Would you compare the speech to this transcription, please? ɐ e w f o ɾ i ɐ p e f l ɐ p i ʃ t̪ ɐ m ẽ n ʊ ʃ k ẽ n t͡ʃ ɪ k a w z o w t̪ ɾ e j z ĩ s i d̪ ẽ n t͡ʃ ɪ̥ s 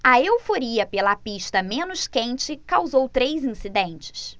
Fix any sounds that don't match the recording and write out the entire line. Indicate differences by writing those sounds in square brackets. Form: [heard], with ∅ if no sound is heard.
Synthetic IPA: ɐ e w f o ɾ i ɐ p e [∅] l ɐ p i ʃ t̪ ɐ m ẽ n ʊ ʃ k ẽ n t͡ʃ ɪ k a w z o w t̪ ɾ e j z ĩ s i d̪ ẽ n t͡ʃ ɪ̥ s

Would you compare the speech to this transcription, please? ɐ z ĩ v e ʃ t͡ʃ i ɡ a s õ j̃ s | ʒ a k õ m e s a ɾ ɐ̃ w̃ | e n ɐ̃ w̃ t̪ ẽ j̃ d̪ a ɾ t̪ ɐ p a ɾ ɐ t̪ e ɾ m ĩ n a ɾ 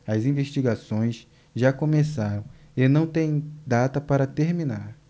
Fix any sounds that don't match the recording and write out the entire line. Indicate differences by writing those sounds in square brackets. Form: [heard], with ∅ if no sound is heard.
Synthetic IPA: ɐ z ĩ v e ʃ t͡ʃ i ɡ a s õ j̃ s | ʒ a k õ m e s a ɾ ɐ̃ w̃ | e n ɐ̃ w̃ t̪ ẽ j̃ d̪ a [∅] t̪ ɐ p a ɾ ɐ t̪ e ɾ m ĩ n a ɾ

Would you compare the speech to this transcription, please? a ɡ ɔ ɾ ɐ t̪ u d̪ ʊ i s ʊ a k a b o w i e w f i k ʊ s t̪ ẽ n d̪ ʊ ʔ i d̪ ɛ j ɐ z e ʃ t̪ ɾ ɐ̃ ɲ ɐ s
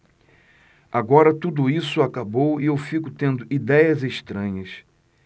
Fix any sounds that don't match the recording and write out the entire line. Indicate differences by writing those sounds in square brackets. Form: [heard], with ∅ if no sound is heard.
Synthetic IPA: a ɡ ɔ ɾ ɐ t̪ u d̪ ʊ i s ʊ a k a b o w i e w f i k ʊ [∅] t̪ ẽ n d̪ ʊ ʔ i d̪ ɛ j ɐ z e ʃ t̪ ɾ ɐ̃ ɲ ɐ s

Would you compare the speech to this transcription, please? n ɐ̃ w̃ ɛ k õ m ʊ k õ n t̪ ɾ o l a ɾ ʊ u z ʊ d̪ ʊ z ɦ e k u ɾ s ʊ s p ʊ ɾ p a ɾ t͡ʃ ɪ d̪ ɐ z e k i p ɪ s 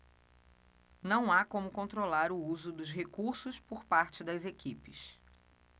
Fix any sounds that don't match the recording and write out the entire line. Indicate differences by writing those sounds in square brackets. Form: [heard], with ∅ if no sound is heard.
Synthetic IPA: n ɐ̃ w̃ [a] k õ m ʊ k õ n t̪ ɾ o l a ɾ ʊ u z ʊ d̪ ʊ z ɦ e k u ɾ s ʊ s p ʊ ɾ p a ɾ t͡ʃ ɪ d̪ ɐ z e k i p ɪ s

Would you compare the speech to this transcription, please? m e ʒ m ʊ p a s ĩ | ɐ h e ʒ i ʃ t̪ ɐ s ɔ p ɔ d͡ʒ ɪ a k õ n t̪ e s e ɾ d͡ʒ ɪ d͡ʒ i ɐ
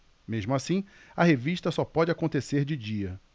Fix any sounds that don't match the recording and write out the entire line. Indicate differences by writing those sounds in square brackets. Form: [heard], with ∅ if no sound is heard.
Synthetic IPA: m e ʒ m ʊ [∅] a s ĩ | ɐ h e [v] i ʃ t̪ ɐ s ɔ p ɔ d͡ʒ ɪ a k õ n t̪ e s e ɾ d͡ʒ ɪ d͡ʒ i ɐ

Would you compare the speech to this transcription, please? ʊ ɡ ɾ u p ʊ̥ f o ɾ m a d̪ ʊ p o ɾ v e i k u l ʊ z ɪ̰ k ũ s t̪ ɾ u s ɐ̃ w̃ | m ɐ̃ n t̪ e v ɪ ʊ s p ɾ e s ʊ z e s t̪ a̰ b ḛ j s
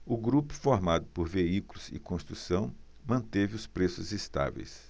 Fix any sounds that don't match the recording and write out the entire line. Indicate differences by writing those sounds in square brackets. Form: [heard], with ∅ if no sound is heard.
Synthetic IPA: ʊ ɡ ɾ u p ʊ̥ f o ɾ m a d̪ ʊ p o ɾ v e i k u l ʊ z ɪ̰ k [õ] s t̪ ɾ u s ɐ̃ w̃ | m ɐ̃ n t̪ e v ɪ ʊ s p ɾ e s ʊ z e s t̪ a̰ [v] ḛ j s

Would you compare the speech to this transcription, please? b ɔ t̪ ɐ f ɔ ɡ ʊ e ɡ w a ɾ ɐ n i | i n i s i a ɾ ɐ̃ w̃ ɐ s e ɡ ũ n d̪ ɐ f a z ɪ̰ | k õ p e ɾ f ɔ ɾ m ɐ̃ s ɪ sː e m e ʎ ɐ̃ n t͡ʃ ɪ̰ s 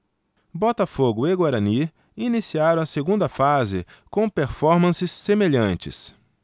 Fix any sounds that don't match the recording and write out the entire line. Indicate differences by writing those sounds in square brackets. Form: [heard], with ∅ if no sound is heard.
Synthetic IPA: b ɔ t̪ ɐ f [o] ɡ ʊ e ɡ w a ɾ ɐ n i | i n i s i a ɾ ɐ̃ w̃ ɐ s e ɡ ũ n d̪ ɐ f a z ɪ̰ | k õ p e ɾ f ɔ ɾ m ɐ̃ s ɪ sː e m e ʎ ɐ̃ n t͡ʃ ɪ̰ s

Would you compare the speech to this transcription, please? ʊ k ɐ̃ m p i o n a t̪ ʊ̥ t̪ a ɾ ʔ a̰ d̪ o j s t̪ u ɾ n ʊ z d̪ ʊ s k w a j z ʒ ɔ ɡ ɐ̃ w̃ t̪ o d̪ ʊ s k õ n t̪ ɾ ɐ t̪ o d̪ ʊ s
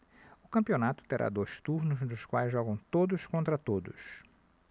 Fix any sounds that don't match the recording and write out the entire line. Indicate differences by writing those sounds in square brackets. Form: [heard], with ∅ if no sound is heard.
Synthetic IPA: ʊ k ɐ̃ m p i o n a t̪ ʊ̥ t̪ [e] ɾ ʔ a̰ d̪ o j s t̪ u ɾ n ʊ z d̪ ʊ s k w a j z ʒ ɔ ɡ ɐ̃ w̃ t̪ o d̪ ʊ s k õ n t̪ ɾ ɐ t̪ o d̪ ʊ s

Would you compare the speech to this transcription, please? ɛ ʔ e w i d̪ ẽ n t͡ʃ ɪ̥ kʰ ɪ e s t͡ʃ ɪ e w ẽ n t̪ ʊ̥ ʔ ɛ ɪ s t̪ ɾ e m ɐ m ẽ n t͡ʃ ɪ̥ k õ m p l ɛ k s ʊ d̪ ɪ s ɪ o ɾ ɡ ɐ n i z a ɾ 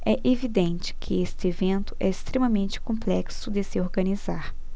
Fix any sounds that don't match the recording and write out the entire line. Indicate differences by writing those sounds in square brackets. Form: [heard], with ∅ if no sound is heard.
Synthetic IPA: ɛ ʔ e [v] i d̪ ẽ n t͡ʃ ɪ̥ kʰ ɪ e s t͡ʃ ɪ e [v] ẽ n t̪ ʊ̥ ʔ ɛ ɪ s t̪ ɾ e m ɐ m ẽ n t͡ʃ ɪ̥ k õ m p l ɛ k s ʊ d̪ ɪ s ɪ o ɾ ɡ ɐ n i z a ɾ

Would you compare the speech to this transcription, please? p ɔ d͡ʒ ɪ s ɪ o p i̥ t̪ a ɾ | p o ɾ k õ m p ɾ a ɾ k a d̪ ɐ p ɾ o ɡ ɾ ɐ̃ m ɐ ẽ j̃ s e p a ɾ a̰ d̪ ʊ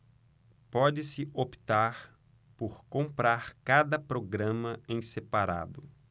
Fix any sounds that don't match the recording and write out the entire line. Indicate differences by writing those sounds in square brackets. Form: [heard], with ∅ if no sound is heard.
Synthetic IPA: p ɔ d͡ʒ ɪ s ɪ o p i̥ t̪ a ɾ | p o ɾ k õ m p ɾ a ɾ k a d̪ ɐ p ɾ o ɡ ɾ ɐ̃ m ɐ ẽ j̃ s e p a ɾ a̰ d̪ ʊ

